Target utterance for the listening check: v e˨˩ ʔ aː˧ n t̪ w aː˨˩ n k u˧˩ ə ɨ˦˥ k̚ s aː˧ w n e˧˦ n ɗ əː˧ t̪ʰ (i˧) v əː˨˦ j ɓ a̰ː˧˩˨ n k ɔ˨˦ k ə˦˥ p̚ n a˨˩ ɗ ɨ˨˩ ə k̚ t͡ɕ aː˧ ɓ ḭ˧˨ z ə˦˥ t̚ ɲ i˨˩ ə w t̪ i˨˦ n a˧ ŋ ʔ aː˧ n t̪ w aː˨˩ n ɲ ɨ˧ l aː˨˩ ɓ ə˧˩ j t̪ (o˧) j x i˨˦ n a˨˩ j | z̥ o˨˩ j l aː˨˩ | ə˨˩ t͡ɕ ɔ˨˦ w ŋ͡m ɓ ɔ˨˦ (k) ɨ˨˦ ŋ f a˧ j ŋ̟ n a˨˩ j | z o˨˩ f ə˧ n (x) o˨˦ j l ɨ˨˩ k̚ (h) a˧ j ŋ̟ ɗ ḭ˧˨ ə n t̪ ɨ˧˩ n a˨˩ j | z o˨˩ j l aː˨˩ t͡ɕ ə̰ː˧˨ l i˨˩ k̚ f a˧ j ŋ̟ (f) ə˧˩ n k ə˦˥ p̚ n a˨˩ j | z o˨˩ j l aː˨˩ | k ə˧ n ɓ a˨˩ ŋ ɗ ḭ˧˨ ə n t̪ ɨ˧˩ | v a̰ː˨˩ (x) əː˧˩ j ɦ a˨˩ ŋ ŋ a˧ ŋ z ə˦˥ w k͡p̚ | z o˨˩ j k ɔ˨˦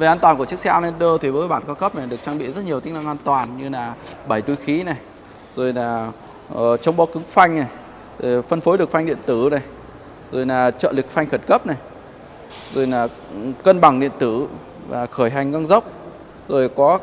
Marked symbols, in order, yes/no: no, no, yes, no, no, no, yes

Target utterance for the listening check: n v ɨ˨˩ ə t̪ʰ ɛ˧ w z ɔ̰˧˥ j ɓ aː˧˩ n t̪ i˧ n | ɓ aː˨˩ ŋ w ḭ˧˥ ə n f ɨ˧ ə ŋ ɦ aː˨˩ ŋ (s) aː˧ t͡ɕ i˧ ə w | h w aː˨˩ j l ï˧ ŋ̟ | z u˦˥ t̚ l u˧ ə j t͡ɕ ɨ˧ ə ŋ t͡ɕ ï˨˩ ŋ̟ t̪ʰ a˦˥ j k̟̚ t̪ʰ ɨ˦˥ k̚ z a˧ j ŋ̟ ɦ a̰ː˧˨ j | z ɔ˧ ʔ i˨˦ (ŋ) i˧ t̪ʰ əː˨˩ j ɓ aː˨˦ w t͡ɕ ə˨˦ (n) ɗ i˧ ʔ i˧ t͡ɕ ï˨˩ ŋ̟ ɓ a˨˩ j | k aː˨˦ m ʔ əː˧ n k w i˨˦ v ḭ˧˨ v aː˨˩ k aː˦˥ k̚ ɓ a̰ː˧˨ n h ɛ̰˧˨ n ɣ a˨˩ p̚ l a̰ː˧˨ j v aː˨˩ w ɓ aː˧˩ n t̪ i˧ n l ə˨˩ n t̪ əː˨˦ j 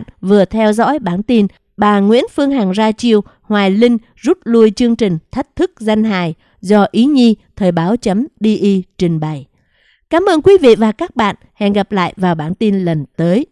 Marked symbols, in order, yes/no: no, no, no

